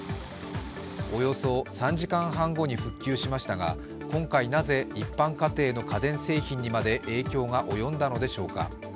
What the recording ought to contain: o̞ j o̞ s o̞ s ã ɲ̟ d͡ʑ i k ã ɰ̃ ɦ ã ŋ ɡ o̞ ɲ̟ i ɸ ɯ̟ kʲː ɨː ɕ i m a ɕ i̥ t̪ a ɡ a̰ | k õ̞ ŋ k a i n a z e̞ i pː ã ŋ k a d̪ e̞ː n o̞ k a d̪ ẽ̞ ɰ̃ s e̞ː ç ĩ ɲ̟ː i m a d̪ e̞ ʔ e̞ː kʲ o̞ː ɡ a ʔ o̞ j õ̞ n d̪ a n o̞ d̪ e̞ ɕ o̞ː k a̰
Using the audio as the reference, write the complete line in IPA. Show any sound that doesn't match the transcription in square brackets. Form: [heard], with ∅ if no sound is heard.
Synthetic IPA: o̞ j o̞ s o̞ s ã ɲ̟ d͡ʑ i k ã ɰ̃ ɦ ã ŋ ɡ o̞ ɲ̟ i ɸ ɯ̟ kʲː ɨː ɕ i m a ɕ i̥ t̪ a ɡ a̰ | k õ̞ ŋ k a i n a z e̞ i pː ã ŋ k a [t̪] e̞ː n o̞ k a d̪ ẽ̞ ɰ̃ s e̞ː ç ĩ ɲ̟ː i m a d̪ e̞ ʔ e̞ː kʲ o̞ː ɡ a ʔ o̞ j õ̞ n d̪ a n o̞ d̪ e̞ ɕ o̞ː k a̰